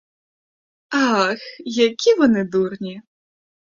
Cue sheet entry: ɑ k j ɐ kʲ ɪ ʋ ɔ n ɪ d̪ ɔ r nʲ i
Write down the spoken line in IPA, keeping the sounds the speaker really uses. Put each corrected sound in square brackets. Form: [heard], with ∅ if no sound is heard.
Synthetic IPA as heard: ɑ [x] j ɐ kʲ [i] ʋ ɔ n ɪ d̪ [u] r nʲ i